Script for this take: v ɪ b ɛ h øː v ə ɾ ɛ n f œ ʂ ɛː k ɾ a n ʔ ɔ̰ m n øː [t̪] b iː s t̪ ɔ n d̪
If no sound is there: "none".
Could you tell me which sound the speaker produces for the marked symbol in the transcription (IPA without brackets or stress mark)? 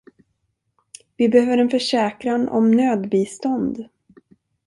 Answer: d̪